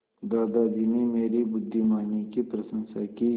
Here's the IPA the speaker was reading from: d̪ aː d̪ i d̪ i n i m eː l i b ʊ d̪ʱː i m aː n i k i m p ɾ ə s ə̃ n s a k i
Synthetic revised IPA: d̪ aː d̪ a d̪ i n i m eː ɾ i b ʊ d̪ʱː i m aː n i k i p ɾ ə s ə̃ n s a k i